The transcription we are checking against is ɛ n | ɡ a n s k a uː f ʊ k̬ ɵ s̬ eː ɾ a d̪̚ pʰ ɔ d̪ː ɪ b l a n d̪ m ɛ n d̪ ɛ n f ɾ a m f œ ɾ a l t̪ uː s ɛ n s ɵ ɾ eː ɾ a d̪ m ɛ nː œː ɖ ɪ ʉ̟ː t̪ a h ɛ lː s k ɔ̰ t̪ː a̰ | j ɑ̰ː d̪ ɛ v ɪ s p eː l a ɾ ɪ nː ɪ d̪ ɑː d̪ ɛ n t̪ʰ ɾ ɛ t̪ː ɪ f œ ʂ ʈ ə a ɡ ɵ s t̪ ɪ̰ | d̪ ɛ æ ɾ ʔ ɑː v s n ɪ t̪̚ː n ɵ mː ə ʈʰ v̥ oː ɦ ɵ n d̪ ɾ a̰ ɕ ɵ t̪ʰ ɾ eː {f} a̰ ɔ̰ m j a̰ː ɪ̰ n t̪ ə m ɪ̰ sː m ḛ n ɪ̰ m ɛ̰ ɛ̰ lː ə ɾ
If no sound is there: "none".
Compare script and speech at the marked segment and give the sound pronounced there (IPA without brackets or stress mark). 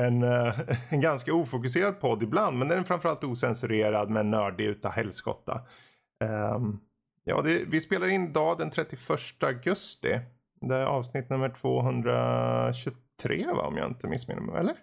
v